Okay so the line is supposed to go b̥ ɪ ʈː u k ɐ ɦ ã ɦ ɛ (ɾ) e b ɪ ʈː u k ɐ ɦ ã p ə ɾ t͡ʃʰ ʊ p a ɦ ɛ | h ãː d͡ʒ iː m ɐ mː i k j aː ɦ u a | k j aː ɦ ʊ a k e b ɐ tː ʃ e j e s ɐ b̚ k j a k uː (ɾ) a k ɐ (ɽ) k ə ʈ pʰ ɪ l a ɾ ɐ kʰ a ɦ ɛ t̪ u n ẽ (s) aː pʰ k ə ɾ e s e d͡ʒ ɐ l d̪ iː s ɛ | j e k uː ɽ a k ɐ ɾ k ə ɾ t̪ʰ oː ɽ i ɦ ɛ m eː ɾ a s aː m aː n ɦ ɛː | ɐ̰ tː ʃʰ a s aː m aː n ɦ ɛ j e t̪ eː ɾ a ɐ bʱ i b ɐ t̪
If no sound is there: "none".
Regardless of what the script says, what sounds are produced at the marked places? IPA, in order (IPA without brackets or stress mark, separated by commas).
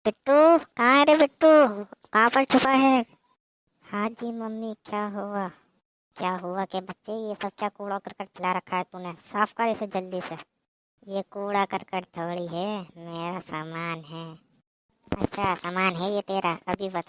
ɾ, ɽ, ɾ, s